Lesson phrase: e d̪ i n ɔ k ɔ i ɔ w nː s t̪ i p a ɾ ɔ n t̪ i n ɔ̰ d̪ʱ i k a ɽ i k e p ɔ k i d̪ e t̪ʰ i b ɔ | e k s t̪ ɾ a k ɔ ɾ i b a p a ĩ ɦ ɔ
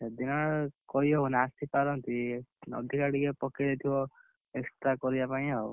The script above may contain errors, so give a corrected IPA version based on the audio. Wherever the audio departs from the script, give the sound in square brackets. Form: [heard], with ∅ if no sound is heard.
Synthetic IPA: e d̪ i n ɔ k ɔ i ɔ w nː s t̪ i p a ɾ ɔ n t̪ i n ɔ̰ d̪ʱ i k a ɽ i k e p ɔ k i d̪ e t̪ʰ i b ɔ | e k s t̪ ɾ a k ɔ ɾ i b a p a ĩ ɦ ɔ